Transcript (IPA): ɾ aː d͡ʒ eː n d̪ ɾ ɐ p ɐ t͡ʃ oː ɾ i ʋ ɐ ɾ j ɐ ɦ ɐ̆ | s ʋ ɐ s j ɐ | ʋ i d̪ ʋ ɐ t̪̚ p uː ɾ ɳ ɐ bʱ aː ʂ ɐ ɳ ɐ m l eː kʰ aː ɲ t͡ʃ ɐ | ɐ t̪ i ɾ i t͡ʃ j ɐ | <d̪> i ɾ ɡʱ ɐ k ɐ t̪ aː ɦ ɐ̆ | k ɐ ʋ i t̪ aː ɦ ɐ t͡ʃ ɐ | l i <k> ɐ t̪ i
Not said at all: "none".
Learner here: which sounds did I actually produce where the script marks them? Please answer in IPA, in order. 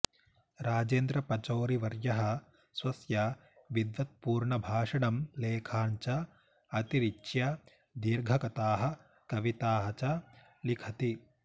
d̪, kʰ

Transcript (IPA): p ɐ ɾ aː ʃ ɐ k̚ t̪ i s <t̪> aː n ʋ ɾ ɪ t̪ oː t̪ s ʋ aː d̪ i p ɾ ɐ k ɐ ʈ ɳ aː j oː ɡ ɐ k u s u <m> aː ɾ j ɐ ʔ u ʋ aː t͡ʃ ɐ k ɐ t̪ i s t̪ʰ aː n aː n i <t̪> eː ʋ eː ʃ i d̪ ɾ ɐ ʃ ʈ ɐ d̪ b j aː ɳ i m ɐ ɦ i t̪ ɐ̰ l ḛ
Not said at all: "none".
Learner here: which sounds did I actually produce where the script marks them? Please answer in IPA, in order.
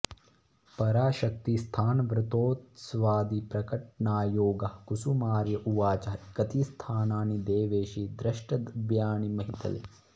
t̪ʰ, m, d̪

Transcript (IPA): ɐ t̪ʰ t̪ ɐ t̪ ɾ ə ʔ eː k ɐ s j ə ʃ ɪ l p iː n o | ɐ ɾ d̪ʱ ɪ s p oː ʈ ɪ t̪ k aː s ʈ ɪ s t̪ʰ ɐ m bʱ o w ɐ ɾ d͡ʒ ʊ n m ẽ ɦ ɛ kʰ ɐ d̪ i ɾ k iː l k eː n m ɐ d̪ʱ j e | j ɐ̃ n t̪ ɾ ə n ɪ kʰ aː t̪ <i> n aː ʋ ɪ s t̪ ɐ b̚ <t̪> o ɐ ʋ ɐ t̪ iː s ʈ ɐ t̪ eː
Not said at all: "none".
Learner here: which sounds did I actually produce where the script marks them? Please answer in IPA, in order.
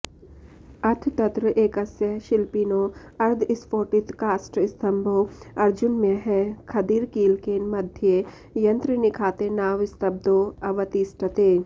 e, d̪

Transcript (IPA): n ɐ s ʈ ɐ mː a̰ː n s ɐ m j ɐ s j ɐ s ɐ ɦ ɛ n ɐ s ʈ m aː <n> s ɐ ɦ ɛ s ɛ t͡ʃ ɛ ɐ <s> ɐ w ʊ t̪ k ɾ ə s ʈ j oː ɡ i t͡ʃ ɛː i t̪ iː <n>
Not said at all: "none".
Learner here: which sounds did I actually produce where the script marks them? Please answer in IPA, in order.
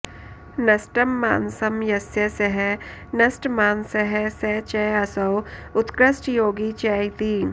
n, s, n

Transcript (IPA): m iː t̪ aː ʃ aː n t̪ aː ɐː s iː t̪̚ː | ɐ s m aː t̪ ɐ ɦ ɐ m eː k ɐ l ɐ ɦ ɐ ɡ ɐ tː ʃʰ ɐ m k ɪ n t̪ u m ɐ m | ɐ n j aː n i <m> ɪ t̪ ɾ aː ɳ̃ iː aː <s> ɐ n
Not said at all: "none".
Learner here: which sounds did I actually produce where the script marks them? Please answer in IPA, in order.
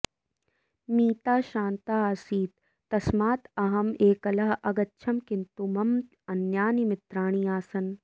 m, s

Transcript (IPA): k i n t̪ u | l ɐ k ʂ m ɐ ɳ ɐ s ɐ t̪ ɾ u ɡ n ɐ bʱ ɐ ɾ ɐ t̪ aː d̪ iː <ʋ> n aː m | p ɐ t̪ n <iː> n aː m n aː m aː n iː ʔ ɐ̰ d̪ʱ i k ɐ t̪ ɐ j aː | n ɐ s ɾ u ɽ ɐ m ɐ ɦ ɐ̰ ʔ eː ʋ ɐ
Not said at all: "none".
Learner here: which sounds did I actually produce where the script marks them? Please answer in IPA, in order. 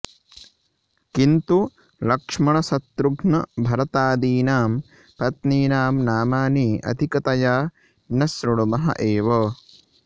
none, iː

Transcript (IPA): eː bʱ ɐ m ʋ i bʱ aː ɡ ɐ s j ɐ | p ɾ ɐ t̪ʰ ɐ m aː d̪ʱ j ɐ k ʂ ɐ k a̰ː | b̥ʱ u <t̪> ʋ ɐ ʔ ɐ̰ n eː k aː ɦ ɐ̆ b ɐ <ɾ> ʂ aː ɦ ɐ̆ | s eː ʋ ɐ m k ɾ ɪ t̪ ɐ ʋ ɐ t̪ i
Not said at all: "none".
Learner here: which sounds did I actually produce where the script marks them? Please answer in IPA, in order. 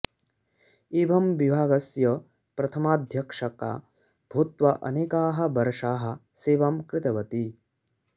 t̪, ɾ

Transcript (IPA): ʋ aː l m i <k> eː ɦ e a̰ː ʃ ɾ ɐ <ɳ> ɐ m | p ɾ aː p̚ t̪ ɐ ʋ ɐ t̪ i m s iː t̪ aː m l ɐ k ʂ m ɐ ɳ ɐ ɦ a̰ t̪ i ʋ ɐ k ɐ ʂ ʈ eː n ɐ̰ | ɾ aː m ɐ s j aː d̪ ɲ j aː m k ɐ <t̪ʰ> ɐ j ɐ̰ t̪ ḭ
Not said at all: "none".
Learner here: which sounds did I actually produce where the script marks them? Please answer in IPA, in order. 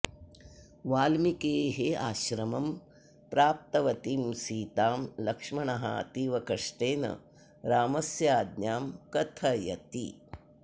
k, m, t̪ʰ

